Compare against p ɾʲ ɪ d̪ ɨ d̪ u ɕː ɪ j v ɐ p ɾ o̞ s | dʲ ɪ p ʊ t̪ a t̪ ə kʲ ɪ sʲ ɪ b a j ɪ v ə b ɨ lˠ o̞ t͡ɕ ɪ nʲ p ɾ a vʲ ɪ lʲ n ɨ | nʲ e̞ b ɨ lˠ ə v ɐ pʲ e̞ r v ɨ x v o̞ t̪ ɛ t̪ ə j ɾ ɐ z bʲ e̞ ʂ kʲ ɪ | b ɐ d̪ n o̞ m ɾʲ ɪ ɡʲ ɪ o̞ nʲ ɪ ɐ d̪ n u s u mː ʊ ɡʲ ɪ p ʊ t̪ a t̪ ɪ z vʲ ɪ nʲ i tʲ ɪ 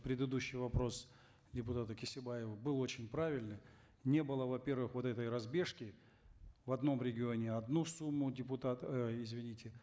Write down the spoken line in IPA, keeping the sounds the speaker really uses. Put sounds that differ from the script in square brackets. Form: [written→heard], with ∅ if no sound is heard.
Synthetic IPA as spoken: p ɾʲ ɪ d̪ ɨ d̪ u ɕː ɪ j v ɐ p ɾ o̞ s | dʲ ɪ p ʊ t̪ a t̪ ə kʲ ɪ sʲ ɪ b a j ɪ v ə b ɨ lˠ o̞ t͡ɕ ɪ nʲ p ɾ a vʲ ɪ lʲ n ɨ | nʲ e̞ b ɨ lˠ ə v ɐ pʲ e̞ r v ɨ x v o̞ t̪ ɛ t̪ ə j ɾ ɐ z bʲ e̞ ʂ kʲ ɪ | [b→v] ɐ d̪ n o̞ m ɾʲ ɪ ɡʲ ɪ o̞ nʲ ɪ ɐ d̪ n u s u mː ʊ [ɡʲ→dʲ] ɪ p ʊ t̪ a t̪ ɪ z vʲ ɪ nʲ i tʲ ɪ

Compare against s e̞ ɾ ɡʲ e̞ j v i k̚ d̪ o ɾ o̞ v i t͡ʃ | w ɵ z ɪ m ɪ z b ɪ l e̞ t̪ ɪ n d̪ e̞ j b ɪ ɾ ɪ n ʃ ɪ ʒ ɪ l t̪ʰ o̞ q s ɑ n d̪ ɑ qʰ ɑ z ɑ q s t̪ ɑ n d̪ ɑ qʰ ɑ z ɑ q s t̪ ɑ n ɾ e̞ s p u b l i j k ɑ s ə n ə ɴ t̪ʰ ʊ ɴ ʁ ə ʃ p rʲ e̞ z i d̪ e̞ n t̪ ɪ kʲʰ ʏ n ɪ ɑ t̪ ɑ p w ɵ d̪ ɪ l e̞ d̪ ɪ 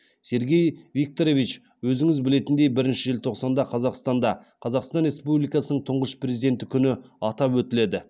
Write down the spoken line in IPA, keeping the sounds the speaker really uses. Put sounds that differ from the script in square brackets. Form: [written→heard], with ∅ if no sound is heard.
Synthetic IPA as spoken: s e̞ ɾ ɡʲ e̞ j v i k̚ [d̪→t̪] o ɾ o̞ v i t͡ʃ | w ɵ z ɪ [m→ŋ] ɪ z b ɪ l e̞ t̪ ɪ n d̪ e̞ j b ɪ ɾ ɪ n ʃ ɪ ʒ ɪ l t̪ʰ o̞ q s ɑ n d̪ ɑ qʰ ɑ z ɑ q s t̪ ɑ n d̪ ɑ qʰ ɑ z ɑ q s t̪ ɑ n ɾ e̞ s p u b l i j k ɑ s ə n ə ɴ t̪ʰ ʊ ɴ ʁ ə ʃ p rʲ e̞ z i d̪ e̞ n t̪ ɪ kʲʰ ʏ n ɪ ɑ t̪ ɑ p w ɵ [d̪→t̪] ɪ l e̞ d̪ ɪ

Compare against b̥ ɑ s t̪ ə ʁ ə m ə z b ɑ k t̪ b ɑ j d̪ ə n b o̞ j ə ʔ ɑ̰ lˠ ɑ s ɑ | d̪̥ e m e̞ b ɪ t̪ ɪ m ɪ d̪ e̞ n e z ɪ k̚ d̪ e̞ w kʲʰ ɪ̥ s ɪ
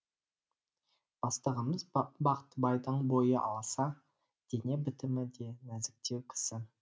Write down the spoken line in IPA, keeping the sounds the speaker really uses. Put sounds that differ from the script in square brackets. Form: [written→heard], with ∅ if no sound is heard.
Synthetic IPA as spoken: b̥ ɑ s t̪ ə ʁ ə m ə z b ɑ [k→q] t̪ b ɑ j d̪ ə [n→ɴ] b o̞ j ə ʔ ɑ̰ lˠ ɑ s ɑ | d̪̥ e [m→n] e̞ b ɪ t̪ ɪ m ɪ d̪ e̞ n [e→æ] z ɪ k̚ [d̪→t̪] e̞ w kʲʰ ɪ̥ s ɪ

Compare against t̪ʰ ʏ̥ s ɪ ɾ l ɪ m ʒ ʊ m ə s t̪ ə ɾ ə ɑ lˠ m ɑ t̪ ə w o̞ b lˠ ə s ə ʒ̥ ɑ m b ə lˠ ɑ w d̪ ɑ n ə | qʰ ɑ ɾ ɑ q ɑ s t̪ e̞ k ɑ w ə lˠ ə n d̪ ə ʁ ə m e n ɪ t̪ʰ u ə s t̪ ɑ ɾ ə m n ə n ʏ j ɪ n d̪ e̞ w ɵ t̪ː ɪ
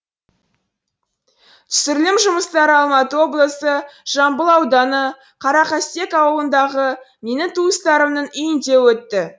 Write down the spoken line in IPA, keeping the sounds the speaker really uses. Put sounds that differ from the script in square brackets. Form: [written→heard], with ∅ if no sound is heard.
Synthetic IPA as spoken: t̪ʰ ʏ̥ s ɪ ɾ l ɪ m ʒ ʊ m ə s t̪ [ə→ɑ] ɾ ə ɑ lˠ m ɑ t̪ ə w o̞ b lˠ ə s ə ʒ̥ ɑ m b ə lˠ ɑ w d̪ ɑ n ə | qʰ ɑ ɾ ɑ q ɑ s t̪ e̞ k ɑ w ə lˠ ə n d̪ [ə→ɑ] ʁ ə m e n ɪ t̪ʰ u ə s t̪ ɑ ɾ ə m n ə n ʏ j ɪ n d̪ e̞ w ɵ t̪ː ɪ

